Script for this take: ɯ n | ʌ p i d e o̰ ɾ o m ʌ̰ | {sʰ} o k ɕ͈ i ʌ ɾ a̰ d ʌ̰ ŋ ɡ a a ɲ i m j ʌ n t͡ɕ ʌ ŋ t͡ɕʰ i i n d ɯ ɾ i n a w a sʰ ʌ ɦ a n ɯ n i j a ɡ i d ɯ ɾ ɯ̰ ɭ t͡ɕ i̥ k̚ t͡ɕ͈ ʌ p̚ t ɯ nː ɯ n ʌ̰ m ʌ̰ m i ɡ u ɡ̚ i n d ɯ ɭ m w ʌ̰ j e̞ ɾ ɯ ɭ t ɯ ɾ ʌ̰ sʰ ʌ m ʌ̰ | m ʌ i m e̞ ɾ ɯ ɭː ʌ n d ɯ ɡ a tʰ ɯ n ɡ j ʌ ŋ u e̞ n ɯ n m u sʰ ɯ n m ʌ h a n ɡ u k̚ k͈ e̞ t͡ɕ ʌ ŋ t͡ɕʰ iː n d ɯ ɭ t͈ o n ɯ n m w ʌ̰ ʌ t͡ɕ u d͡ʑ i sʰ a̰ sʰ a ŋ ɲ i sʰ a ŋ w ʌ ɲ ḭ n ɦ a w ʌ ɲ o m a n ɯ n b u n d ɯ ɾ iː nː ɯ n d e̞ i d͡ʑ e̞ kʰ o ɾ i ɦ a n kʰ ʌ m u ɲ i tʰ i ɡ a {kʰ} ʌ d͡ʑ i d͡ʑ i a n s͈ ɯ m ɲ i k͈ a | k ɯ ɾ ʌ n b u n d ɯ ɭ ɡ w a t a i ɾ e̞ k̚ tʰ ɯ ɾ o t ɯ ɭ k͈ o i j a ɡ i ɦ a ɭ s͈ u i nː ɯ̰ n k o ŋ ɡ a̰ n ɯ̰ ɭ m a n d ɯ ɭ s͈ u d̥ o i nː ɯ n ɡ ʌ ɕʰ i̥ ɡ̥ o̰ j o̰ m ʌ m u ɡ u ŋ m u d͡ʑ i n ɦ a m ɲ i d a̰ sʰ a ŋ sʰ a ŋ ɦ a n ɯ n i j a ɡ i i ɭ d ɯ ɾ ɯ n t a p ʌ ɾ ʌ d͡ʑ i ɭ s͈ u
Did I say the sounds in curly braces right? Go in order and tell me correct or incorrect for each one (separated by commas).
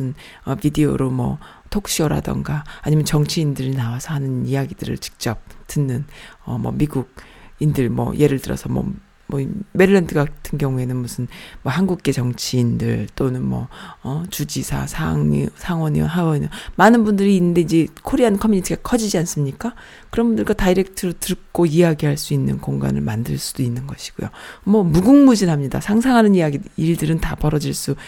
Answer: incorrect, correct